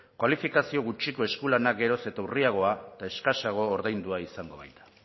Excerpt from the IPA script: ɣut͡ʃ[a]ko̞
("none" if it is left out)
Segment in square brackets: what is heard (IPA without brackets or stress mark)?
i